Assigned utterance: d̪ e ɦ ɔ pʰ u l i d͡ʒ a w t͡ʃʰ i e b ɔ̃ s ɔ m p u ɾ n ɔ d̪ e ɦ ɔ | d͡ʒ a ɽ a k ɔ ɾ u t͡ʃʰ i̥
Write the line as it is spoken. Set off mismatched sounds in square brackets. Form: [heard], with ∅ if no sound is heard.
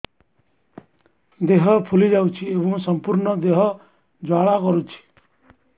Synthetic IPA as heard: d̪ e ɦ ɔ pʰ u l i d͡ʒ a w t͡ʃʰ i e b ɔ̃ s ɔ m p u ɾ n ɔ d̪ e ɦ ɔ | d͡ʒ a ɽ a k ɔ ɾ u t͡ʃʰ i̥